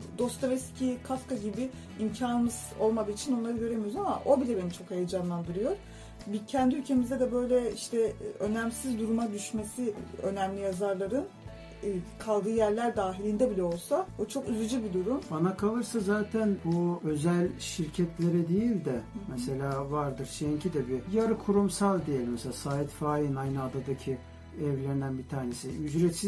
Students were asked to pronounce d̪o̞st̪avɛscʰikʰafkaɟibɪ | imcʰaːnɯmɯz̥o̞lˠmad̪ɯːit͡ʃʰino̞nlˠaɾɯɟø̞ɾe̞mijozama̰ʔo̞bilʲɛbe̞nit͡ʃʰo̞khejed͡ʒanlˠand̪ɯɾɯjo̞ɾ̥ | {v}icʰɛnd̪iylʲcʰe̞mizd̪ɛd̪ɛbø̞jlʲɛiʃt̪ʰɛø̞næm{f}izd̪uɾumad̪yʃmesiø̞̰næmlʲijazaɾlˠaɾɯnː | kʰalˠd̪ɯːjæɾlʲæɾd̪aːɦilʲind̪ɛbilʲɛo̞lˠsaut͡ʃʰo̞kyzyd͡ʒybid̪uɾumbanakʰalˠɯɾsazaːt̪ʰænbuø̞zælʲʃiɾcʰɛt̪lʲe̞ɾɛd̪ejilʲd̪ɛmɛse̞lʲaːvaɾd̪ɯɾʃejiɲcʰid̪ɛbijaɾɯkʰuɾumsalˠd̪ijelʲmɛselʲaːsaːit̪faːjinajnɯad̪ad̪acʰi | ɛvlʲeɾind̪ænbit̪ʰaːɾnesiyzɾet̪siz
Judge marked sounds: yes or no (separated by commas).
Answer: no, no